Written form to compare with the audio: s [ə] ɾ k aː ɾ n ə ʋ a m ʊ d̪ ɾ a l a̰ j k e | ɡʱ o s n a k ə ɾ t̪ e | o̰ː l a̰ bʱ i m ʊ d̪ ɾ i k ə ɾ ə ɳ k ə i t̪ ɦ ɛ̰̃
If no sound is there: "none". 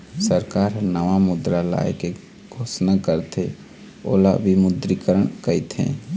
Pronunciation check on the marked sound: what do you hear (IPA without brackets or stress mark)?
ə